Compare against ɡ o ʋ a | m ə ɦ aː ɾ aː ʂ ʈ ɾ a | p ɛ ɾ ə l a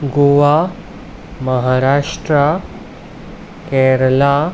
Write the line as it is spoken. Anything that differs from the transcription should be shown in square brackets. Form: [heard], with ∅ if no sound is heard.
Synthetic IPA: ɡ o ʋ a | m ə ɦ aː ɾ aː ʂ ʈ ɾ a | [k] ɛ ɾ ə l a